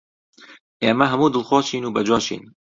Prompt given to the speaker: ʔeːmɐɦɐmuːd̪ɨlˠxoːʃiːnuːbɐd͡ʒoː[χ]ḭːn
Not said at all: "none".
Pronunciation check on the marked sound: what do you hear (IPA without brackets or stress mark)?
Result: ʃ